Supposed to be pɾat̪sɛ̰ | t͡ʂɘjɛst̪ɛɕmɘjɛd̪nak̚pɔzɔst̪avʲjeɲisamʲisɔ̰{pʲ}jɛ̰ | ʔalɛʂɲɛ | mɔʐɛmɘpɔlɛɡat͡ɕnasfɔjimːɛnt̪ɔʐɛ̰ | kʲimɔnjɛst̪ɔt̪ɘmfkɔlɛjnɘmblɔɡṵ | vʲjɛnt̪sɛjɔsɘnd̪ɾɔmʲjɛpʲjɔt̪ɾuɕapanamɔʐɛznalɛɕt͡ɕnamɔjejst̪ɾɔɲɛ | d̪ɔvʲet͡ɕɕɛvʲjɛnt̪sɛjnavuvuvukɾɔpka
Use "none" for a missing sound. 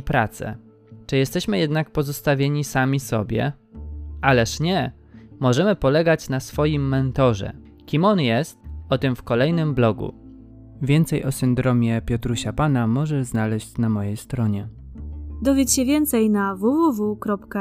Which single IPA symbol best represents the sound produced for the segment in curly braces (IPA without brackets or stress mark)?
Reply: bʲ